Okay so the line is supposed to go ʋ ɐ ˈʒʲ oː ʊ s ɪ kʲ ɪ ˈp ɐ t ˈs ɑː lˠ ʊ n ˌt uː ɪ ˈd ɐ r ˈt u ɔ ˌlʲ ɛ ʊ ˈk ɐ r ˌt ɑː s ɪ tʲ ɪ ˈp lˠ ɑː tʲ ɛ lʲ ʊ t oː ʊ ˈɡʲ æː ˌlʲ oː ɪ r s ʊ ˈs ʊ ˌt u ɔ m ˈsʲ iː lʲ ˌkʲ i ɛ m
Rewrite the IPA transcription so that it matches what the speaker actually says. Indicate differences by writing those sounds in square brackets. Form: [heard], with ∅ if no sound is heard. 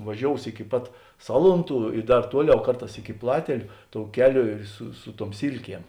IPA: ʋ ɐ ˈʒʲ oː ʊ s ɪ kʲ ɪ ˈp ɐ t ˈs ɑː lˠ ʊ n ˌt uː ɪ ˈd ɐ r ˈt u ɔ ˌlʲ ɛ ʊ ˈk ɐ r ˌt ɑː s ɪ [kʲ] ɪ ˈp lˠ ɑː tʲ ɛ lʲ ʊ t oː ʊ [ˈkʲ] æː ˌlʲ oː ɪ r s ʊ ˈs ʊ ˌt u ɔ m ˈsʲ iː lʲ ˌkʲ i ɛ m